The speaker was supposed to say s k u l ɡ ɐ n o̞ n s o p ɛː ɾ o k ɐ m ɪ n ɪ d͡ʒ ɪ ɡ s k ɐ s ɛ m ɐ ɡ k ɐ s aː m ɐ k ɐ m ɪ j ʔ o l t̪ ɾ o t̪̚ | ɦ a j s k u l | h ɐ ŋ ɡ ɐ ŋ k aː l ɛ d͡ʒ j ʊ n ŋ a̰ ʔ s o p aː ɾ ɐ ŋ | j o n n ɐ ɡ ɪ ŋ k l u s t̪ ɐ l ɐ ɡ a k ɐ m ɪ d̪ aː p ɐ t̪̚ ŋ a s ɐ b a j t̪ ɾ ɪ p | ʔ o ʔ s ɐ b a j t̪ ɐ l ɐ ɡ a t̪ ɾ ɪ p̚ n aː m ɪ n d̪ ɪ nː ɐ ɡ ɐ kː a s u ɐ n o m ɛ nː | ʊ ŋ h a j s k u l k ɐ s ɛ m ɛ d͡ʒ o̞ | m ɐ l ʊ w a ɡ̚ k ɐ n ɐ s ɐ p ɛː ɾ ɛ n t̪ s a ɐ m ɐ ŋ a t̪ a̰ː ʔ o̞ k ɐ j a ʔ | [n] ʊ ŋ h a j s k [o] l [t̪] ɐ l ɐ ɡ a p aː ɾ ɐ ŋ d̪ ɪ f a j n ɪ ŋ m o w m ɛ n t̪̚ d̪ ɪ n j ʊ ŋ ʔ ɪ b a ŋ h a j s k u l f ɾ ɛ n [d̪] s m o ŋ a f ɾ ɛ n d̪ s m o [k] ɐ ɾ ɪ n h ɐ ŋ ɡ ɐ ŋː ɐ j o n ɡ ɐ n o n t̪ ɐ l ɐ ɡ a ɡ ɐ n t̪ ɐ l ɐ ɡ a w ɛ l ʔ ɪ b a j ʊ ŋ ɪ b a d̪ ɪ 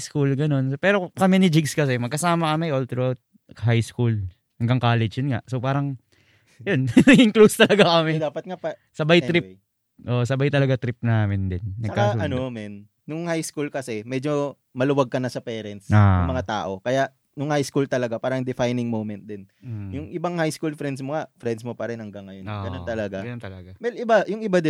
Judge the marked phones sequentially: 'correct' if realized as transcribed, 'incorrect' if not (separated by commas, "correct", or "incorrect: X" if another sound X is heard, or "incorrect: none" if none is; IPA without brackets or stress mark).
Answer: correct, incorrect: u, correct, correct, incorrect: p